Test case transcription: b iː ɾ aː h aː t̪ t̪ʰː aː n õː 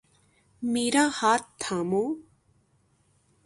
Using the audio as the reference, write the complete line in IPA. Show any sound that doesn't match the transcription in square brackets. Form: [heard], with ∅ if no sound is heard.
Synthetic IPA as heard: [m] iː ɾ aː h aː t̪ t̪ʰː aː [m] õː